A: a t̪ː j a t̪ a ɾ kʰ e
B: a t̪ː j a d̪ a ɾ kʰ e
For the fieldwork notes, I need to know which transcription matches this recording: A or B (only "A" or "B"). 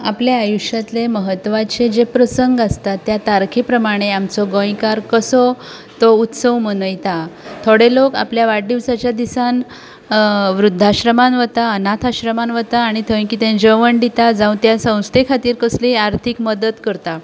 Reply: A